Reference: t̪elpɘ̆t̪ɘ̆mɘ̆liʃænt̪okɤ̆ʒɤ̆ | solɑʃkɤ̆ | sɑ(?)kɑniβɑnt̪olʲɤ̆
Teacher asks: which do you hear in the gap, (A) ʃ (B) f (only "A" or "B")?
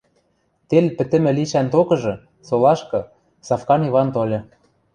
B